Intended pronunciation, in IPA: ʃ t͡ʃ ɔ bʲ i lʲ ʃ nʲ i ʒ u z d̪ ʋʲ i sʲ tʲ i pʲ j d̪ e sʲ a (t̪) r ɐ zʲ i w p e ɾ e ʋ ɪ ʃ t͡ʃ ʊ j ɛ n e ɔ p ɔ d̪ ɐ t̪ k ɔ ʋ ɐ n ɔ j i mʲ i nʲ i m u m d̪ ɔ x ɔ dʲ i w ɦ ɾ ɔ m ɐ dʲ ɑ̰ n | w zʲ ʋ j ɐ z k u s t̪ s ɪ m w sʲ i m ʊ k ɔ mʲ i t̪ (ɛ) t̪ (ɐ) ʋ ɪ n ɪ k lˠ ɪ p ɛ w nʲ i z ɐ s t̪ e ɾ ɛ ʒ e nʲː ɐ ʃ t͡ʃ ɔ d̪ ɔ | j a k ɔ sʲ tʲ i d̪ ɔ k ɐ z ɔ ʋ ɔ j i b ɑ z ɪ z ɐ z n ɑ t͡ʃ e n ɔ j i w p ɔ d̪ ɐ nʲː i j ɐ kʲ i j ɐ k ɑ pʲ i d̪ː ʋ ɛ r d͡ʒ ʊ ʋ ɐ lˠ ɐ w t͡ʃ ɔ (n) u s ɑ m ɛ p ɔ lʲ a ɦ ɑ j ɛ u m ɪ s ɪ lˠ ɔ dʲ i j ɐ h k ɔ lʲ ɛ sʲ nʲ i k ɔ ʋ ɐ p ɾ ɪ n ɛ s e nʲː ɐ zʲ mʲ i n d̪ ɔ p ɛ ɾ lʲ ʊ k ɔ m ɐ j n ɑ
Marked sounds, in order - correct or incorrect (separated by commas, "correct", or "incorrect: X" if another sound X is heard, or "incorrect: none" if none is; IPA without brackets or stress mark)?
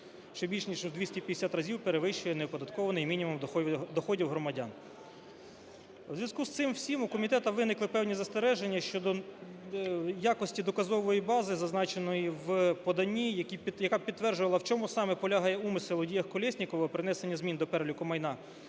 correct, correct, correct, incorrect: m